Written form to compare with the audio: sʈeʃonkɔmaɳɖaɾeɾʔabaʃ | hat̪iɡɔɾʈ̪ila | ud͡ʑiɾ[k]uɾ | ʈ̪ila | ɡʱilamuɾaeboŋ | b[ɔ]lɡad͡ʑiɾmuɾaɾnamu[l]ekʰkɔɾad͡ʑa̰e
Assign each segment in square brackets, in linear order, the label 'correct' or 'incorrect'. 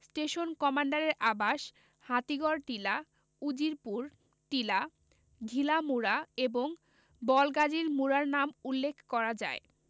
incorrect: p, correct, incorrect: lː

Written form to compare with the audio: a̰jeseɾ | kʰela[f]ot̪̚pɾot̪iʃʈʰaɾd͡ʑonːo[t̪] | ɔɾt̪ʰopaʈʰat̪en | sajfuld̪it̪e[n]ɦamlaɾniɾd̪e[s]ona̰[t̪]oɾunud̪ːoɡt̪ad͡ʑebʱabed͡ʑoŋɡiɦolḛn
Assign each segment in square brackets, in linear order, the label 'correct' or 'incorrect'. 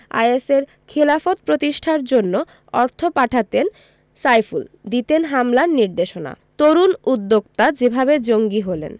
correct, incorrect: none, correct, incorrect: ʃ, correct

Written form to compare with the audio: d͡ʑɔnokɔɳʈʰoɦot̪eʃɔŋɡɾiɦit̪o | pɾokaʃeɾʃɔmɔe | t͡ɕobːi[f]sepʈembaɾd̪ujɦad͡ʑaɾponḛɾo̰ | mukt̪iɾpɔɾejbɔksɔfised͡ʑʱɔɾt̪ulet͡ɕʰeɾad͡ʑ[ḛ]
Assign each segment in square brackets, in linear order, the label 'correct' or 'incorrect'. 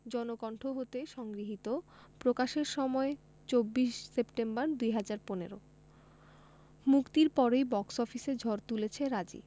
incorrect: ʃ, incorrect: ḭ

